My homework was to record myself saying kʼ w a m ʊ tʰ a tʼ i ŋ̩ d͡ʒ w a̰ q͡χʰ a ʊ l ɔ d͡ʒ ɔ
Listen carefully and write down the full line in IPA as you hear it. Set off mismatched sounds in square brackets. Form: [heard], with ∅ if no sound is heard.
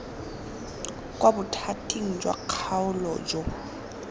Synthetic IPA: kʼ w a [b] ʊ tʰ a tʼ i ŋ̩ d͡ʒ w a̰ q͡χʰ a ʊ l ɔ d͡ʒ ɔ

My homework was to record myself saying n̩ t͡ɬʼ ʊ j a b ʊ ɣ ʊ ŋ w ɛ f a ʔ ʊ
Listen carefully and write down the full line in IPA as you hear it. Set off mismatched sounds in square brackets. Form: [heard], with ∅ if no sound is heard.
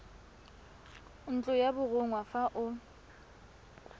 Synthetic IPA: n̩ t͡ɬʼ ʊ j a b ʊ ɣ ʊ ŋ w [a] f a ʔ ʊ

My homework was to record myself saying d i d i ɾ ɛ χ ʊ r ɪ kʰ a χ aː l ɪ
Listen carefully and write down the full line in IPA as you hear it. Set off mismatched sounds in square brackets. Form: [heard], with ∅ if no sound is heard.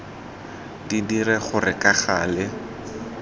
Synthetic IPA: d i d i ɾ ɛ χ ʊ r ɪ [k] a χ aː l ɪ

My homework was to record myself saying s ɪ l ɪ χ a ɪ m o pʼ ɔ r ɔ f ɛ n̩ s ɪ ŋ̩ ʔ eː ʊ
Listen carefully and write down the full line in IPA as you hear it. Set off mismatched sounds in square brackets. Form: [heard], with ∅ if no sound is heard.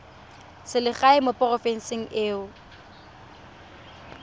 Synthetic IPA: s ɪ l ɪ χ a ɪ m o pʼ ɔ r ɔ f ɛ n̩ s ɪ ŋ̩ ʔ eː ʊ

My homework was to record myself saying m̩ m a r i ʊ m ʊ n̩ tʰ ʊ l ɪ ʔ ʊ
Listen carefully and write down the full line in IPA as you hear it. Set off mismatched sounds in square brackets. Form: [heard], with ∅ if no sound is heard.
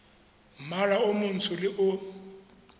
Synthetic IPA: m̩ m a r [a] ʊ m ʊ n̩ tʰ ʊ l ɪ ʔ ʊ

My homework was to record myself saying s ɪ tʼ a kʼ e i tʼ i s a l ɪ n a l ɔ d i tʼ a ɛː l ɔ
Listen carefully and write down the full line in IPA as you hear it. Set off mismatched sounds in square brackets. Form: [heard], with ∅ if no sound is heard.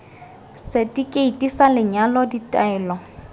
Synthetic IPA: s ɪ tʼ [i] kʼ e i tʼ i s a l ɪ [ɲ] a l ɔ d i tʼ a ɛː l ɔ

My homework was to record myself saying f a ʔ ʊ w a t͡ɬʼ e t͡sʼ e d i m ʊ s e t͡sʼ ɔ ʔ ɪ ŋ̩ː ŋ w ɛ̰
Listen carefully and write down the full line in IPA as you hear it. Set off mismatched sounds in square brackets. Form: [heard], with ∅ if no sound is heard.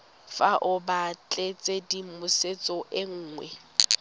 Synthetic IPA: f a ʔ ʊ [b] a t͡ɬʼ e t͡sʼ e d i m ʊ s e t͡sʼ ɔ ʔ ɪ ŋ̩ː ŋ w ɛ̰

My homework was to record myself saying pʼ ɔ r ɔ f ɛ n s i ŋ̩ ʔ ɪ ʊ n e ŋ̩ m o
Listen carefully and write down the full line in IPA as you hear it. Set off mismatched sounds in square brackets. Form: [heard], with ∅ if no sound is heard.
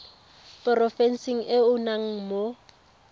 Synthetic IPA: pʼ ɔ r ɔ f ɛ n s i ŋ̩ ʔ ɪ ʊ n [a] ŋ̩ m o

